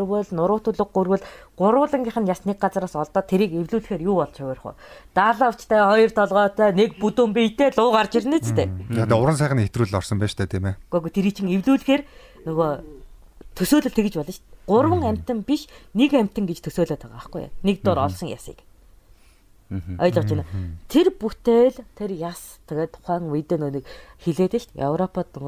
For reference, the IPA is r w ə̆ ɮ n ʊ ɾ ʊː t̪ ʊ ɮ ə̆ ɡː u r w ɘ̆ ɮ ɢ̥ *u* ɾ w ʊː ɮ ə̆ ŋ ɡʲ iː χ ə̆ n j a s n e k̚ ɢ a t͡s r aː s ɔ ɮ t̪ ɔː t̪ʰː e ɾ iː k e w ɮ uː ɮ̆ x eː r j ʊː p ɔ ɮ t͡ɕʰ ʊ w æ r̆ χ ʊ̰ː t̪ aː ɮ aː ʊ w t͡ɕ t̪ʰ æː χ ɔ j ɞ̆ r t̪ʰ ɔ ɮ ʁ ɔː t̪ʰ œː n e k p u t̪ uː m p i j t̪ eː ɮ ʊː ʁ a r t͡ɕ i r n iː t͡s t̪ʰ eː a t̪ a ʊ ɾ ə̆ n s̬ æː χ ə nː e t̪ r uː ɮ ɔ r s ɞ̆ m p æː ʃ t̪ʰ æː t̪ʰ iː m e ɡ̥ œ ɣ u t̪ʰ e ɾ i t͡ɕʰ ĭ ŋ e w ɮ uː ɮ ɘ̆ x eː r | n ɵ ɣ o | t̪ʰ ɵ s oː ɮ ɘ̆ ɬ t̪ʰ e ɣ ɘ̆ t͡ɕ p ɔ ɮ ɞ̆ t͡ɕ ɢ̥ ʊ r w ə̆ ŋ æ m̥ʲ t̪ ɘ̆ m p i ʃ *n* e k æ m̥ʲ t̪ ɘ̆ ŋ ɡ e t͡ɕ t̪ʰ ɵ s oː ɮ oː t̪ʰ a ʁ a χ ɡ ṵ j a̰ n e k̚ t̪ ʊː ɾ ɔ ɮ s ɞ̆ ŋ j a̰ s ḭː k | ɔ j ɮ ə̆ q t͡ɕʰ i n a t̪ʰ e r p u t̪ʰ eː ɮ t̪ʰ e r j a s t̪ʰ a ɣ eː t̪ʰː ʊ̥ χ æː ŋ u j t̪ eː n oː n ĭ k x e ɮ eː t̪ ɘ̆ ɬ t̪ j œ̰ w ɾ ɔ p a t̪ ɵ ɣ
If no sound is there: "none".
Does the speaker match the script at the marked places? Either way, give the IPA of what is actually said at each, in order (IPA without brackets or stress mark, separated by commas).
ʊ, n